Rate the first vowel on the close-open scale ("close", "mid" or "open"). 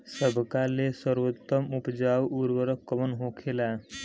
mid